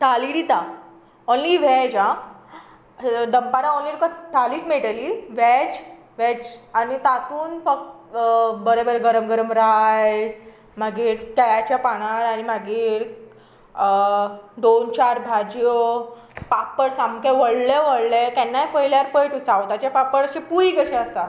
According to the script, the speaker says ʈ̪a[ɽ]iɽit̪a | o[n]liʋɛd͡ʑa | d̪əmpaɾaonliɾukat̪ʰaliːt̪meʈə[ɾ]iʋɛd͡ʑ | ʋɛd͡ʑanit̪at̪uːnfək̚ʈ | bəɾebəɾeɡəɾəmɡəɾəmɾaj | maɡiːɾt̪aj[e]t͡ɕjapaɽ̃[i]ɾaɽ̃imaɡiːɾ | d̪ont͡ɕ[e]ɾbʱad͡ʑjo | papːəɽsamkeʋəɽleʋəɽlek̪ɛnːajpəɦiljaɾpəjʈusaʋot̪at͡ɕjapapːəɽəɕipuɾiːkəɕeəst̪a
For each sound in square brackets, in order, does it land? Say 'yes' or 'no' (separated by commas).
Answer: no, yes, no, no, no, no